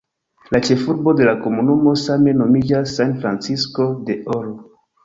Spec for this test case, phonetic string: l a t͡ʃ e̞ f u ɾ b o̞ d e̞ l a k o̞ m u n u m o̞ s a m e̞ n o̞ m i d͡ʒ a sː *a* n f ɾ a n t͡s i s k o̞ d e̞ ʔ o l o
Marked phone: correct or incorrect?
correct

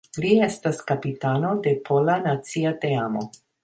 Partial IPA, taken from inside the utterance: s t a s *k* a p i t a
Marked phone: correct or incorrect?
correct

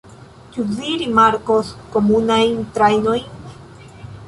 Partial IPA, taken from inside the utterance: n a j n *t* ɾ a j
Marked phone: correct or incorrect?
correct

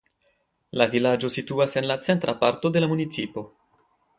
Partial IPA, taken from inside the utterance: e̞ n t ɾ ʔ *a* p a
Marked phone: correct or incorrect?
correct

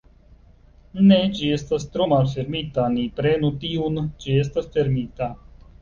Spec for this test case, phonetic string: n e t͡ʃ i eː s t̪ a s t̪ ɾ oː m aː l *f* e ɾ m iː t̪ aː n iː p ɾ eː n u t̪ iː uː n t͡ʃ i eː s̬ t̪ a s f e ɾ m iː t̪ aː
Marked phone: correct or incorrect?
correct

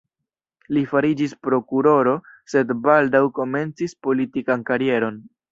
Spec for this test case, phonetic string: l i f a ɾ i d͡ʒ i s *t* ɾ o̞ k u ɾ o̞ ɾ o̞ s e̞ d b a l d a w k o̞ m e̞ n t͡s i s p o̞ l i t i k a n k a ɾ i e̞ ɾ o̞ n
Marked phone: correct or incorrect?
incorrect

